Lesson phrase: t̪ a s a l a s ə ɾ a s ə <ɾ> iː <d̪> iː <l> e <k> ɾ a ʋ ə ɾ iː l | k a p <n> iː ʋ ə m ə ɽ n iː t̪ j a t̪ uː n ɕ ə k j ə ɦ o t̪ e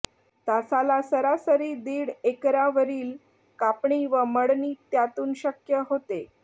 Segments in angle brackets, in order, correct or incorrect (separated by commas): correct, correct, incorrect, correct, incorrect